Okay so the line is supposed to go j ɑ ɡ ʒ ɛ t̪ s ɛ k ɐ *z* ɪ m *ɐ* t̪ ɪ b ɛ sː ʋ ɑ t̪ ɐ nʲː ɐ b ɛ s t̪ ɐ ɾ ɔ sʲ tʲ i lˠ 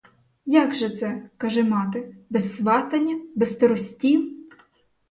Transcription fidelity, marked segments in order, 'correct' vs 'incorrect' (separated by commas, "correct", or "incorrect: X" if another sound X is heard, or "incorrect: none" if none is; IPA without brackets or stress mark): incorrect: ʒ, incorrect: ɑ